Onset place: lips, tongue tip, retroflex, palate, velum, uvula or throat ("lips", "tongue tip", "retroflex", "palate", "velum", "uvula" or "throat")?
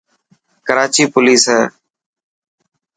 velum